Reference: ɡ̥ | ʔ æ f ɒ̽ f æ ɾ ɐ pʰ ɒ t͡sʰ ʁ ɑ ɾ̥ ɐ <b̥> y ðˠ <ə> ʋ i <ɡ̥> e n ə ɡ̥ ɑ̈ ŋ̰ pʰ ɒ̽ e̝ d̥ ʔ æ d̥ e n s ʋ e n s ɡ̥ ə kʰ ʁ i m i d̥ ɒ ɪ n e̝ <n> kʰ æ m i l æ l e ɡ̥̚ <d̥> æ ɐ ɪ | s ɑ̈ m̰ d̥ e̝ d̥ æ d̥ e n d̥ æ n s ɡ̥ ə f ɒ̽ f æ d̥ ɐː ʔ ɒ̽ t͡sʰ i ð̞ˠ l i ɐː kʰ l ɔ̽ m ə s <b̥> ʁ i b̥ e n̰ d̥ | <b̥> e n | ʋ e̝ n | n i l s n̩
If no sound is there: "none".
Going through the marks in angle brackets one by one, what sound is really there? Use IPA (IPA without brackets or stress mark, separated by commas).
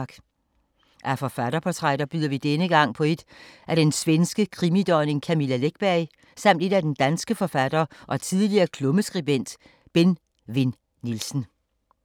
b̥, ɐ, d̥, ŋ, b̥, ɡ̥, b̥